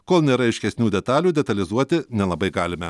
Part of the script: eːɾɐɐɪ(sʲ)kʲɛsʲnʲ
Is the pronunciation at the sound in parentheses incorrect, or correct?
incorrect